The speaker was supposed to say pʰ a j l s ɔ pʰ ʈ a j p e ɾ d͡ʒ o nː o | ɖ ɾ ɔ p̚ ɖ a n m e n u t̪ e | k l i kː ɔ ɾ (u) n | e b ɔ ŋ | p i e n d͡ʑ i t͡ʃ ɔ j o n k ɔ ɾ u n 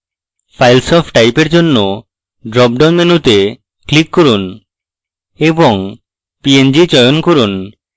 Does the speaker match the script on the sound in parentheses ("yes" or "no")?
yes